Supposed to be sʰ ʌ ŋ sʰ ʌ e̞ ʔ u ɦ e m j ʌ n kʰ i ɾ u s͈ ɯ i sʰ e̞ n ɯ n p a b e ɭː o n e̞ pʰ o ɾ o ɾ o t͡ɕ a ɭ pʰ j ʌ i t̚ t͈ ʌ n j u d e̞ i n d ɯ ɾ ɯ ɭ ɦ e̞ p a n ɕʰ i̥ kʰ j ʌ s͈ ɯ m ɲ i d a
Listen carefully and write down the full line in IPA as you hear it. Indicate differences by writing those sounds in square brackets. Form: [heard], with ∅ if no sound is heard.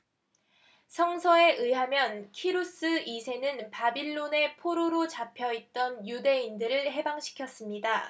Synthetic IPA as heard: sʰ ʌ ŋ sʰ ʌ e̞ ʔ [ɯ] ɦ [a] m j ʌ n kʰ i ɾ u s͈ ɯ i sʰ e̞ n ɯ n p a b [i] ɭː o n e̞ pʰ o ɾ o ɾ o t͡ɕ a [∅] pʰ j ʌ i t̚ t͈ ʌ n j u d e̞ i n d ɯ ɾ ɯ ɭ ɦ e̞ [b] a [ŋ] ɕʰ i̥ kʰ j ʌ s͈ ɯ m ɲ i d a